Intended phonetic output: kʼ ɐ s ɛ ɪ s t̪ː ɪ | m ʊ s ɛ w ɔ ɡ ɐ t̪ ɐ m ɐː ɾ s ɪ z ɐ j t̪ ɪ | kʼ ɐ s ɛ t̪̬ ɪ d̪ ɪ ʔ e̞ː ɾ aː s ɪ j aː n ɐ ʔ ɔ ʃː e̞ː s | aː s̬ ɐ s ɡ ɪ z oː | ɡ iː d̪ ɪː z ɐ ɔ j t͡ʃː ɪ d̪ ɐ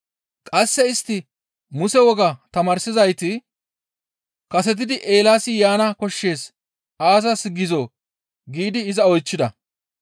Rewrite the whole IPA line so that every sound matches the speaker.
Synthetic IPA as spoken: kʼ ɐ sː ɛ ɪ s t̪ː ɪ | m ʊ s ɛ w ɔ ɡ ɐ t̪ ɐ m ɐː ɾ s ɪ z ɐ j t̪ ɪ | k ɐ s ɛ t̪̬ ɪ d̪ ɪ ʔ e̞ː l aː s ɪ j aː n ɐ k ɔ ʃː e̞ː s | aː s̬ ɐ s ɡ ɪ z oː | ɡ iː d̪ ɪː z ɐ ɔ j t͡ʃː ɪ d̪ ɐ